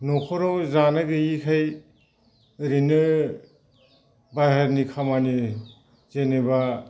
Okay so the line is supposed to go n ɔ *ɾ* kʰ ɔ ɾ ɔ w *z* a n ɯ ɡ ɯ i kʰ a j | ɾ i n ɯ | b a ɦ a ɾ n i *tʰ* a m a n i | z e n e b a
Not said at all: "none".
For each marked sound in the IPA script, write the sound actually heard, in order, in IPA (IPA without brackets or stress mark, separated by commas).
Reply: none, z, kʰ